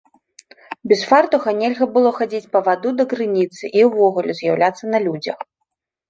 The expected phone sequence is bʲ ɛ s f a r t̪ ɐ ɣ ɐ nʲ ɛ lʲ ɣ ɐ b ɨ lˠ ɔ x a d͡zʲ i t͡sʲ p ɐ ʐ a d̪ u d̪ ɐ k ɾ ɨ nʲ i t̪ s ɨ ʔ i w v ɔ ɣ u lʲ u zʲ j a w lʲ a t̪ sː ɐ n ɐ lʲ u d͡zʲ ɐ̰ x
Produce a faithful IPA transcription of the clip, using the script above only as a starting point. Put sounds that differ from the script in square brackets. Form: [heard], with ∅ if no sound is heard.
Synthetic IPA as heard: bʲ ɛ s f a r t̪ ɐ ɣ ɐ nʲ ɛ lʲ ɣ ɐ b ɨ lˠ ɔ x a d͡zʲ i t͡sʲ p ɐ [v] a d̪ u d̪ ɐ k ɾ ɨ nʲ i t̪ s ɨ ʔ i w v ɔ ɣ u lʲ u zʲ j a w lʲ a t̪ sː ɐ n ɐ lʲ u d͡zʲ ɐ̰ x